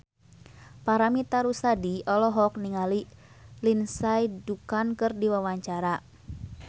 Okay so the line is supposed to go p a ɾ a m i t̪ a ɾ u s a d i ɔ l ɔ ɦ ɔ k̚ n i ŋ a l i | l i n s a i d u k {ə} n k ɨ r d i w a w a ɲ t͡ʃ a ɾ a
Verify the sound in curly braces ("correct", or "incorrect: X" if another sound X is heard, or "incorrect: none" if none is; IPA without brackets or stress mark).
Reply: incorrect: a